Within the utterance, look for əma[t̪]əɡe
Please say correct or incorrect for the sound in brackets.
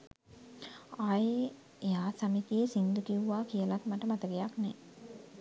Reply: correct